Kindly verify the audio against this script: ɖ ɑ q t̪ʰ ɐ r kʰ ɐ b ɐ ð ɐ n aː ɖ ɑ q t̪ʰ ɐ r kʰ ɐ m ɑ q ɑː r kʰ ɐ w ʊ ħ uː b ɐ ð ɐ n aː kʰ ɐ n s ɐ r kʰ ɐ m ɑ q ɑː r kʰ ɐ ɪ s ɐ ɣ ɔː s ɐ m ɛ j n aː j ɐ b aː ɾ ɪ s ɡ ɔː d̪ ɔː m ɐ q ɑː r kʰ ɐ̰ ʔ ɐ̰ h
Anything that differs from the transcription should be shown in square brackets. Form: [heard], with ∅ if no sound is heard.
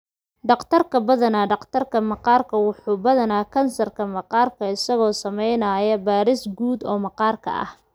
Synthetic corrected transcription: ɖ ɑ q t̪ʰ ɐ r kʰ ɐ b ɐ ð ɐ n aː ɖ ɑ q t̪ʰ ɐ r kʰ ɐ m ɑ q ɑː r kʰ ɐ w ʊ ħ uː b ɐ ð ɐ n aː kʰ ɐ n s ɐ r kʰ ɐ m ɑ q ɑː r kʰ ɐ ɪ s ɐ ɣ ɔː s ɐ m ɛ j n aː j ɐ b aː ɾ ɪ s ɡ [uː] d̪ ɔː m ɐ q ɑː r kʰ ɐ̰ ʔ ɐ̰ h